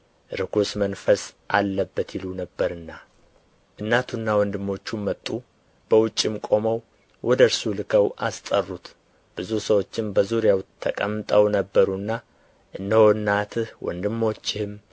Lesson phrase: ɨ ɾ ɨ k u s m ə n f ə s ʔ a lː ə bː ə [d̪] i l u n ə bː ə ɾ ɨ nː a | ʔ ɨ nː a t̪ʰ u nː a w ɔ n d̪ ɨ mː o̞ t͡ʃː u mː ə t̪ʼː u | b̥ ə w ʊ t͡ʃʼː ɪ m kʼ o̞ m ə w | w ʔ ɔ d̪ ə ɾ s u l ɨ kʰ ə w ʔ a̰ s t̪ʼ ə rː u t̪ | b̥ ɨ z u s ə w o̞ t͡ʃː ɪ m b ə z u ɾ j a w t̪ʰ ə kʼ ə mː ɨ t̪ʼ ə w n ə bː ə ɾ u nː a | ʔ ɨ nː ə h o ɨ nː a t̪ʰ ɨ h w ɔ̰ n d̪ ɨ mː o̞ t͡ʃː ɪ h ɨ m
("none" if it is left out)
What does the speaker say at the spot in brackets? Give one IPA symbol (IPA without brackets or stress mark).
t̪